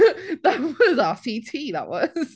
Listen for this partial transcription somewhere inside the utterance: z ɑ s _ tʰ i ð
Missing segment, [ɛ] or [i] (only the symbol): i